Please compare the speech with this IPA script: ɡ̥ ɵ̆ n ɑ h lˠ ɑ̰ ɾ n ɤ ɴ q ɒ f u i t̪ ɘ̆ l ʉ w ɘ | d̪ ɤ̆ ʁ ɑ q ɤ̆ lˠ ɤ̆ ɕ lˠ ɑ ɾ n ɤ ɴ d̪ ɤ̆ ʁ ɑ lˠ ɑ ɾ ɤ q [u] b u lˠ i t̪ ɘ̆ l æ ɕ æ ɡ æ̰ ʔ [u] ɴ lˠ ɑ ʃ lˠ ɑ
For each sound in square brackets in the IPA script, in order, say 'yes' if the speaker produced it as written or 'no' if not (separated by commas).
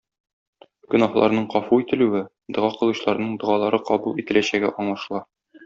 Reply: no, no